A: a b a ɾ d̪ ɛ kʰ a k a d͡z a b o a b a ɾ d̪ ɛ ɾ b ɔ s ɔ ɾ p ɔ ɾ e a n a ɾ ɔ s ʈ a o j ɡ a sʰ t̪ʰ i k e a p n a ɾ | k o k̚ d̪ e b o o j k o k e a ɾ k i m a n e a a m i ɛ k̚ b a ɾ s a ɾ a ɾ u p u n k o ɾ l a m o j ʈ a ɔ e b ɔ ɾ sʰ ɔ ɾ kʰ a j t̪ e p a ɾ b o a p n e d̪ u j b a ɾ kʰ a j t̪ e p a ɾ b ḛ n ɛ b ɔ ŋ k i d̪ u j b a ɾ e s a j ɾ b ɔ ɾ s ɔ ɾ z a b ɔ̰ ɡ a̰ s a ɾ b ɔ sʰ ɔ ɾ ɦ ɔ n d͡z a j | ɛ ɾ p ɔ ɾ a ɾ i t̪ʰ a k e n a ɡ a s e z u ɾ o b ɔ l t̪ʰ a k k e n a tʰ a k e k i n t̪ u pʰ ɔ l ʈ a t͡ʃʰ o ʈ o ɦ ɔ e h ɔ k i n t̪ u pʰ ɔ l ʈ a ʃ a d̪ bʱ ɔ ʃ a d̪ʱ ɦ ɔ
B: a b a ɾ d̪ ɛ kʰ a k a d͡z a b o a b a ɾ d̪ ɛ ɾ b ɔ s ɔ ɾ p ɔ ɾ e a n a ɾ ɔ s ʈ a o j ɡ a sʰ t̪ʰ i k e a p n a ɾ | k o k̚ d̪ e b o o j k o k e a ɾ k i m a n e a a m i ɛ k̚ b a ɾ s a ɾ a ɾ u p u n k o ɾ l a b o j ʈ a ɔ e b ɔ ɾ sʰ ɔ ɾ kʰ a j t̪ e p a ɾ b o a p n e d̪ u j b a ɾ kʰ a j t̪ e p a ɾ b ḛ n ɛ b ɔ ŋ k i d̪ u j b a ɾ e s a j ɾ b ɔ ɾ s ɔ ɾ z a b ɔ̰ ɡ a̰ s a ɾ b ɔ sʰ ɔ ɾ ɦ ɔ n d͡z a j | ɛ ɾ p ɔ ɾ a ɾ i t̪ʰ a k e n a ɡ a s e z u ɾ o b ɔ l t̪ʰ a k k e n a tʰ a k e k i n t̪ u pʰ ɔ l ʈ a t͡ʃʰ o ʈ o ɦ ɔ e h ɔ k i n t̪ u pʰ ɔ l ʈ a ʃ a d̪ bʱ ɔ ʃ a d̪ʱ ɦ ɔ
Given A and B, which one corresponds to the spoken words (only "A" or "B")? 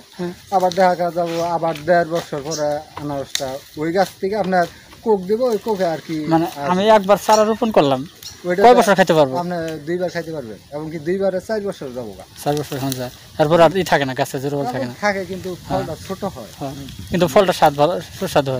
A